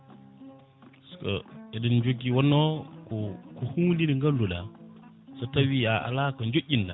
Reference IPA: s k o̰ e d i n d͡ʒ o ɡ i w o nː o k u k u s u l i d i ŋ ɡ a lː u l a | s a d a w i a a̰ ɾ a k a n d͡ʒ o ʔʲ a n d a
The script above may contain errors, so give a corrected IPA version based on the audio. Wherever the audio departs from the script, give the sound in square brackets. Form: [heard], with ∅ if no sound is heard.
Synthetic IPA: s k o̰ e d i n d͡ʒ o ɡ i w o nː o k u k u [h] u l i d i ŋ ɡ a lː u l a | s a [t] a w i a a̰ [l] a k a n d͡ʒ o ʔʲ [i] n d a

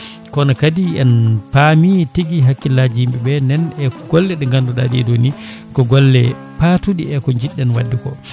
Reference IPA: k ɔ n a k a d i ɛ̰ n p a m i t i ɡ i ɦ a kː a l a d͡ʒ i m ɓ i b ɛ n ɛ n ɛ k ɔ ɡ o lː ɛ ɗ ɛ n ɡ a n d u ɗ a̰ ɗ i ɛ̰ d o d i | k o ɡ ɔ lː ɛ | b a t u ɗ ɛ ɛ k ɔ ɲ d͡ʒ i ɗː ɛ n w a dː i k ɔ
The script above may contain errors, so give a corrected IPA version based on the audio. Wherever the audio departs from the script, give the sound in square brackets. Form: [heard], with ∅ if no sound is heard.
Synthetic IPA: k ɔ n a k a d i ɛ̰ n p a m i t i ɡ i ɦ a kː [i] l a d͡ʒ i m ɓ [ɛ] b ɛ n ɛ n ɛ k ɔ ɡ [ɔ] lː ɛ ɗ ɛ [ŋ] ɡ a n d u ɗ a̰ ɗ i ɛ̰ d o [n] i | k [ɔ] ɡ ɔ lː ɛ | [p] a t u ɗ [i] ɛ k ɔ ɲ d͡ʒ i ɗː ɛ n w a dː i k ɔ

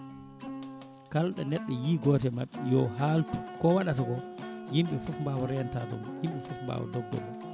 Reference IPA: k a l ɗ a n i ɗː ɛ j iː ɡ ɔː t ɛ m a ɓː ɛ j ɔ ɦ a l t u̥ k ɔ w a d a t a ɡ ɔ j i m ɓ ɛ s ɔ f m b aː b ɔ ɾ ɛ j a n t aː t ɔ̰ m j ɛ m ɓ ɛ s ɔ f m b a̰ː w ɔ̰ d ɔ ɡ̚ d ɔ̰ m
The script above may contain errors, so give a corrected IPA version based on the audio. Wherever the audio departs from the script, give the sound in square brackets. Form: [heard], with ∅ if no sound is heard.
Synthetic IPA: k a l ɗ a n [ɛ] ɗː ɛ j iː ɡ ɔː t ɛ m a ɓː ɛ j ɔ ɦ a l t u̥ k ɔ w a [ɗ] a t a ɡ ɔ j i m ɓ ɛ [f] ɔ f m b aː [w] ɔ ɾ ɛ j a n t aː t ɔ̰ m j [i] m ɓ ɛ [f] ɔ f m b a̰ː w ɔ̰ d ɔ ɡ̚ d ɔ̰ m

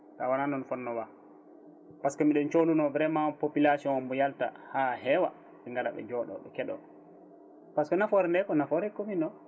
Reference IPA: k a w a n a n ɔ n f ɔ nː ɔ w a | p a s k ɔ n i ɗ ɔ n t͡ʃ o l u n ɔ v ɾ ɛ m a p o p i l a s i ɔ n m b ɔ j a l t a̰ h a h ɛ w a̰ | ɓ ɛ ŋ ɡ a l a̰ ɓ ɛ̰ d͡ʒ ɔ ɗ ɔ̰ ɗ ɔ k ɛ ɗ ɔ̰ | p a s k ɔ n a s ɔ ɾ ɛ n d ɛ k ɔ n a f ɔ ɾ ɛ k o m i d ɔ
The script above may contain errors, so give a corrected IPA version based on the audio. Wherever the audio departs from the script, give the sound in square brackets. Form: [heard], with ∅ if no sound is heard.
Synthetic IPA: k a w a n a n ɔ n f ɔ nː ɔ w a | p a s k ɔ [m] i ɗ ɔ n t͡ʃ o l u n ɔ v ɾ ɛ m a p o p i l a s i ɔ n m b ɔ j a l t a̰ h a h ɛ w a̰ | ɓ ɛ ŋ ɡ a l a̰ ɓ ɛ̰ d͡ʒ ɔ ɗ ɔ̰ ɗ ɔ k ɛ ɗ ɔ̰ | p a s k ɔ n a [f] ɔ ɾ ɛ n d ɛ k ɔ n a f ɔ ɾ ɛ k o m i [n] ɔ

